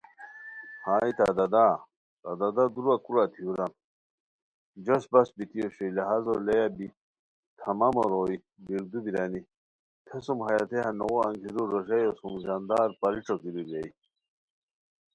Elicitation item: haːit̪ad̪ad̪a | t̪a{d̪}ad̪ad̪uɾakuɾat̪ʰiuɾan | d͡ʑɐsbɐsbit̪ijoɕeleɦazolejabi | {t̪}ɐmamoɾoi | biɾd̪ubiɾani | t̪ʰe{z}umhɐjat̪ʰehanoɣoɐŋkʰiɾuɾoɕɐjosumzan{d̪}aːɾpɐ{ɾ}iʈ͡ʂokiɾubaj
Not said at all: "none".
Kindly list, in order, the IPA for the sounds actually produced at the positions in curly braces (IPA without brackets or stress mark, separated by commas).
d̪, t̪ʰ, s, d̪, ɾ